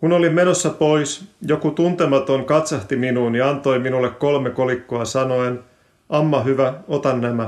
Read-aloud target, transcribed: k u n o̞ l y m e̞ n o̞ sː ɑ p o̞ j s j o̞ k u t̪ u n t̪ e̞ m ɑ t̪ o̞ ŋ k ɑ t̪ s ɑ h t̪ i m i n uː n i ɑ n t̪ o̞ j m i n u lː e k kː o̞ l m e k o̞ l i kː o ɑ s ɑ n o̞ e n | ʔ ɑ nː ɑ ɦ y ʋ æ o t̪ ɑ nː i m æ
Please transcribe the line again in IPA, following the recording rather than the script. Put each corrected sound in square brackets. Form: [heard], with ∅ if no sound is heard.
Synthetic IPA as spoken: k u n o̞ l [i] m e̞ n o̞ sː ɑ p o̞ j s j o̞ k u t̪ u n t̪ e̞ m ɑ t̪ o̞ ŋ k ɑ t̪ s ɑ h t̪ i m i n uː n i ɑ n t̪ o̞ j m i n u lː e k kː o̞ l m e k o̞ l i kː o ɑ s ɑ n o̞ e n | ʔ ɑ [mː] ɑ ɦ y ʋ æ o t̪ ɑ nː [æ] m æ